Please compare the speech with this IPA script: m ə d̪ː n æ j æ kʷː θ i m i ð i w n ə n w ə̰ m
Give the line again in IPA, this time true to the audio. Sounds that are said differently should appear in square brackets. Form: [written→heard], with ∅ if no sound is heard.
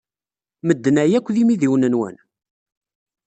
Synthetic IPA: m ə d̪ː n æ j æ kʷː [θ→ð] i m i ð i w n ə n w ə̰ [m→n]